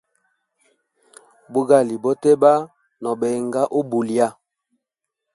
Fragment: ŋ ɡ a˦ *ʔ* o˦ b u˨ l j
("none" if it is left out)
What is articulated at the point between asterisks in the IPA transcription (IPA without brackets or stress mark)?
ʔ